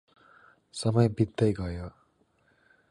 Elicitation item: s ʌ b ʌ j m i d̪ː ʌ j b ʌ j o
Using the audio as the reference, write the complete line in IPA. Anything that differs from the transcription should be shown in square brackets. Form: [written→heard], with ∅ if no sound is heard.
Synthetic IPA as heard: s ʌ [b→m] ʌ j [m→b] i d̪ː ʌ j [b→ɡ] ʌ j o